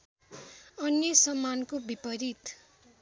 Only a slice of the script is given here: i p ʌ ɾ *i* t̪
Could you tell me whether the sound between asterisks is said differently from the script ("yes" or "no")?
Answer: no